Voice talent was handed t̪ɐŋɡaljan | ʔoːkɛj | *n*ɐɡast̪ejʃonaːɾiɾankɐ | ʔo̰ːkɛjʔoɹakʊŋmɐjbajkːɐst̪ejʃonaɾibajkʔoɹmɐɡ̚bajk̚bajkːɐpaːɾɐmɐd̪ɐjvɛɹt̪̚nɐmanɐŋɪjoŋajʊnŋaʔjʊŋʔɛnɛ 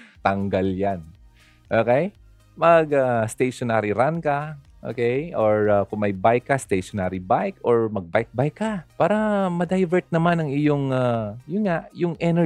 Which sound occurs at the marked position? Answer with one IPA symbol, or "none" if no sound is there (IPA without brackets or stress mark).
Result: m